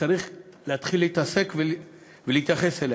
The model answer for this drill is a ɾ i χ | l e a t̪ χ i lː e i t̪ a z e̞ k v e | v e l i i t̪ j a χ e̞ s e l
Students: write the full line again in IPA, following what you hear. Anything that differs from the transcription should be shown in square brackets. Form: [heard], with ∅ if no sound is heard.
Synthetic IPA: a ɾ i χ | l e a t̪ χ i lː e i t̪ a [s] e̞ k v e | v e l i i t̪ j a χ e̞ s e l